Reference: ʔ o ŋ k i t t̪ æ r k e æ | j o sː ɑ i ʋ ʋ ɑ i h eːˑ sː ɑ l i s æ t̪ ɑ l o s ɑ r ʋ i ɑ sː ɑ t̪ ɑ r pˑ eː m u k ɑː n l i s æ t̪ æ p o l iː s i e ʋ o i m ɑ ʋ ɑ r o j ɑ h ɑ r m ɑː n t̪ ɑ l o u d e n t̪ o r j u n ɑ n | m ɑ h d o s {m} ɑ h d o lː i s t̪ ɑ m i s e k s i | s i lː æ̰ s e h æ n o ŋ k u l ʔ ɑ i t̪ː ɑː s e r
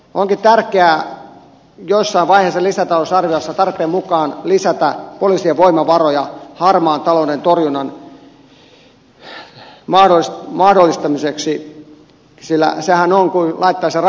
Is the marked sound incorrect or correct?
correct